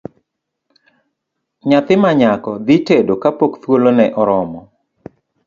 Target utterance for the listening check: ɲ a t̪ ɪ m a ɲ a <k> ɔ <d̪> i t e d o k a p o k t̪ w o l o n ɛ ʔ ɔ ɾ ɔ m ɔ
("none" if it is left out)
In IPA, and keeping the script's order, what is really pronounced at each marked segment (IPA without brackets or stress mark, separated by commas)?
k, d̪